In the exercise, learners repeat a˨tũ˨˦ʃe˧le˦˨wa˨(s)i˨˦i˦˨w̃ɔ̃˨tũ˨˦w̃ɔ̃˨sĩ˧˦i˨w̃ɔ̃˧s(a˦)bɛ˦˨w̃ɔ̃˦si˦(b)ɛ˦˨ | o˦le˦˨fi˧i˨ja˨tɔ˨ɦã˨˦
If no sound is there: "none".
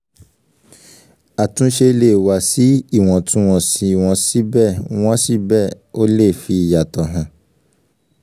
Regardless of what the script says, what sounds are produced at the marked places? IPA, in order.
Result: s, i˦, b

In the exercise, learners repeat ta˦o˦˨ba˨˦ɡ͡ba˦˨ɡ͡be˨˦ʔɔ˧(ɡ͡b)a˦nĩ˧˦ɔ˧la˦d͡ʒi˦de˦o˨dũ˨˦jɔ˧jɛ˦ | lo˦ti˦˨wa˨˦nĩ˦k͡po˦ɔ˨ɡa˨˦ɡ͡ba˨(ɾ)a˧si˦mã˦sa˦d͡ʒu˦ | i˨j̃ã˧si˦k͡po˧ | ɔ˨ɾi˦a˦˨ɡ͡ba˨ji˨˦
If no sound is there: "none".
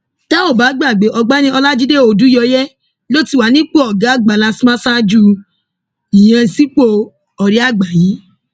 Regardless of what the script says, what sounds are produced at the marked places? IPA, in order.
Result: ɡ͡b, l

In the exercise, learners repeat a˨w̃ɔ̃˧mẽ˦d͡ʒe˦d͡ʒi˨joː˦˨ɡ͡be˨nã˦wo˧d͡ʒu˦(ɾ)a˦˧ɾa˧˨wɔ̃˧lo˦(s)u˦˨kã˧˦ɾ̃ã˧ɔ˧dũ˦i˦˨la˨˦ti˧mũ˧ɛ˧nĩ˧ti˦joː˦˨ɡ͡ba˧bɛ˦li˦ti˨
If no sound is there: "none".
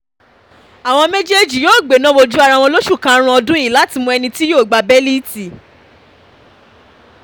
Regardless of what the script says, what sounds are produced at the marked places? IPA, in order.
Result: none, ʃ

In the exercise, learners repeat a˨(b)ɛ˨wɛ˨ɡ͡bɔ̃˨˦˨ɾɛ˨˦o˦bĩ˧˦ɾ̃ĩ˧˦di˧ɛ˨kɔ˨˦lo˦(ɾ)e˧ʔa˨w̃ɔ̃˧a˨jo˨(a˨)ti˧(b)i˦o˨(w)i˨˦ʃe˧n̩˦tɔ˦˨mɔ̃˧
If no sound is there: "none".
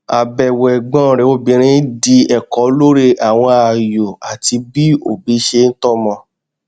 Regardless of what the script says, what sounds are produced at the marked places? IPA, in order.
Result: b, ɾ, a˨, b, b

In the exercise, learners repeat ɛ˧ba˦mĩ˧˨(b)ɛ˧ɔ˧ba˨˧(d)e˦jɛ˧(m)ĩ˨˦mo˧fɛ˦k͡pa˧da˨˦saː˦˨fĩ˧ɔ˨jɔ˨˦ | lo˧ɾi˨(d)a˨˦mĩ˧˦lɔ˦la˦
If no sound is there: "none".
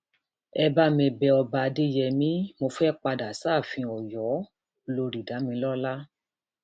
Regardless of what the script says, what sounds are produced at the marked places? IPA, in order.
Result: b, d, m, d

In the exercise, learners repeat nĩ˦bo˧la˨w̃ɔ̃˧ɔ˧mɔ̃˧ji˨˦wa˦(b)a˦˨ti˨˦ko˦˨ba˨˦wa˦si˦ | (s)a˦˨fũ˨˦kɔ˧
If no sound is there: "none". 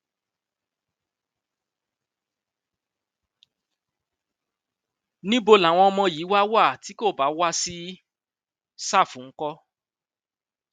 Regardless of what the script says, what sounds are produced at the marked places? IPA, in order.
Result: w, s

